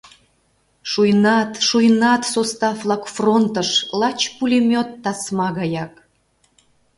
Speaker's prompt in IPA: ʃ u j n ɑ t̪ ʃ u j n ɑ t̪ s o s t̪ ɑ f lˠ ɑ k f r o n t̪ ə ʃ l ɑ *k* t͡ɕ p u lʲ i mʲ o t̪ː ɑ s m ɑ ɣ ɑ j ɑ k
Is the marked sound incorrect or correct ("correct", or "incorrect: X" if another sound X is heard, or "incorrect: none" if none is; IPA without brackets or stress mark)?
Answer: incorrect: none